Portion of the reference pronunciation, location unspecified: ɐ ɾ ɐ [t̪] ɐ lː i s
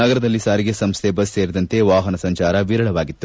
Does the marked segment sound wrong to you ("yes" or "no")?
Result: yes